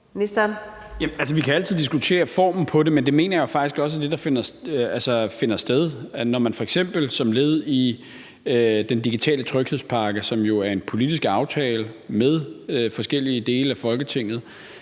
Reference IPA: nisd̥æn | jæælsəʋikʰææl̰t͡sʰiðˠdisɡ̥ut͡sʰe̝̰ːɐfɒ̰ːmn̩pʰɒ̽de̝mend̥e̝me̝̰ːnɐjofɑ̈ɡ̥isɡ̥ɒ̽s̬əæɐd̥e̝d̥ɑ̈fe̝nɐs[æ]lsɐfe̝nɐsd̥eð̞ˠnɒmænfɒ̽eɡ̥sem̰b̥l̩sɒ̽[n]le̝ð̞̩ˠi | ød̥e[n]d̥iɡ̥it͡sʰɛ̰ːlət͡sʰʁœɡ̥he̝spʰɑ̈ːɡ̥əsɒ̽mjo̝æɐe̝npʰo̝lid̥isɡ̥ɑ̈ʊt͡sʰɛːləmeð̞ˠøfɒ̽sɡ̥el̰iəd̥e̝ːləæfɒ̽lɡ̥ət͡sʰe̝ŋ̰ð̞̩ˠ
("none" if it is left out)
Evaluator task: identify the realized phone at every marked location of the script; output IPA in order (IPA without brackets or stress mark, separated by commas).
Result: æ, m, n